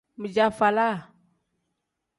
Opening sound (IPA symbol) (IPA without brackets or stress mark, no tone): m